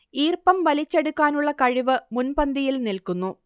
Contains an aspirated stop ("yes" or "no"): no